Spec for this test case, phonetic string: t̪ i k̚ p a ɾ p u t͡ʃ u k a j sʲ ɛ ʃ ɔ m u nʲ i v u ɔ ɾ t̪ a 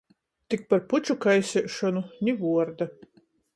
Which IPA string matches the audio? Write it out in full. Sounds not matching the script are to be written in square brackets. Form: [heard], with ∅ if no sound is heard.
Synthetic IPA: t̪ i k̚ p a ɾ p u t͡ʃ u k a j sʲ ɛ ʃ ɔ [n] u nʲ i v u ɔ ɾ [d̪] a